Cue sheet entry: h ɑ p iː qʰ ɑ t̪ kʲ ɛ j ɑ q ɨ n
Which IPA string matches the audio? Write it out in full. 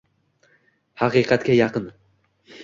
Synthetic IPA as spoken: h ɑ q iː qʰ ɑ t̪ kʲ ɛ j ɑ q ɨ n